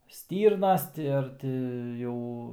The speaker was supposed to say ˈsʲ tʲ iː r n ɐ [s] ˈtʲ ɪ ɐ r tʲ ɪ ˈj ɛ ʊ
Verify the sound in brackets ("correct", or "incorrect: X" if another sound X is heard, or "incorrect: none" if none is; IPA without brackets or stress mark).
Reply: correct